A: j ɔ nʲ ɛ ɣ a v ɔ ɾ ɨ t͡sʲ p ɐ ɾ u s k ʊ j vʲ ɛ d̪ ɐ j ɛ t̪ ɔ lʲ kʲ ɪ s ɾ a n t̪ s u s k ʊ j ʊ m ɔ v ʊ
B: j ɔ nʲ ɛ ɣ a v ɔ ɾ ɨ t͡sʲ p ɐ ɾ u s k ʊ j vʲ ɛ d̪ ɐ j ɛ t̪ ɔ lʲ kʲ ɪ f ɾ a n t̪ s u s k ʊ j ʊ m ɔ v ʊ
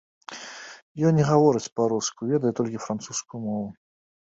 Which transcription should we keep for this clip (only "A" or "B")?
B